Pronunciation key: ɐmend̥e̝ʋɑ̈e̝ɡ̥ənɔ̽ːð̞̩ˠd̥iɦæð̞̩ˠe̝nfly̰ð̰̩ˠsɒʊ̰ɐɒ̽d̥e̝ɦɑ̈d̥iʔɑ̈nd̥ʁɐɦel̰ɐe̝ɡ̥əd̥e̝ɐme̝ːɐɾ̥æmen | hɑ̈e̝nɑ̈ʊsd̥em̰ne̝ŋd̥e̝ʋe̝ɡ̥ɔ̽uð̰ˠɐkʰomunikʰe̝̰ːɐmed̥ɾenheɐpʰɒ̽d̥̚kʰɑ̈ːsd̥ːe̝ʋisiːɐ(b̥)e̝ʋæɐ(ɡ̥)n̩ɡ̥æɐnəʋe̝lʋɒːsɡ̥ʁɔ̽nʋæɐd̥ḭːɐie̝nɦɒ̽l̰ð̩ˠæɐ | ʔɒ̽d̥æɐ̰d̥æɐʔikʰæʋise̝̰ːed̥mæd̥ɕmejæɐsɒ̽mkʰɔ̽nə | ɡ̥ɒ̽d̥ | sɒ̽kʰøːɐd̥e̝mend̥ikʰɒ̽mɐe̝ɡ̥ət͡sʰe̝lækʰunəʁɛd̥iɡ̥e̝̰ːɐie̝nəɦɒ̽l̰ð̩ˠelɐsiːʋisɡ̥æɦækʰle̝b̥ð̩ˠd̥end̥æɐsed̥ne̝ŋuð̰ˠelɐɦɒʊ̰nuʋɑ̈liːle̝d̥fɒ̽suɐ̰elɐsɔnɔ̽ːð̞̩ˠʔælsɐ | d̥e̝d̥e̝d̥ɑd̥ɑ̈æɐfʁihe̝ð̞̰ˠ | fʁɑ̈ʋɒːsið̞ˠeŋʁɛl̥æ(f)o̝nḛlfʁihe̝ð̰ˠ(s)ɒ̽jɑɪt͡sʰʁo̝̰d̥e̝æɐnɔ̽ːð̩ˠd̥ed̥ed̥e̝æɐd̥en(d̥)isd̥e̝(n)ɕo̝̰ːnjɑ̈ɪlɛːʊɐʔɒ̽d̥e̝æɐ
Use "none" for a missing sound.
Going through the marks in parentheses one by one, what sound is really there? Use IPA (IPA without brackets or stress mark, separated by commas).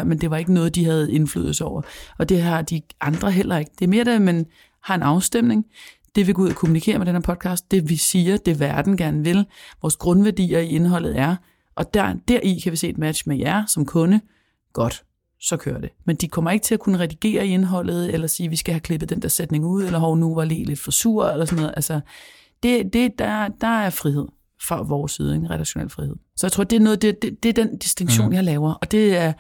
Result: d̥, d̥, ɕ, s, d̥, ŋ